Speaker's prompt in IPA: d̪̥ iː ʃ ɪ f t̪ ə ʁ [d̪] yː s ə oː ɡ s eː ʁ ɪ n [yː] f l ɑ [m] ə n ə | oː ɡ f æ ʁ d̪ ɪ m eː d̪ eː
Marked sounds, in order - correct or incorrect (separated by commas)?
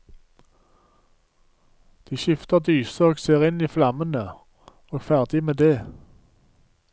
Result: correct, incorrect, correct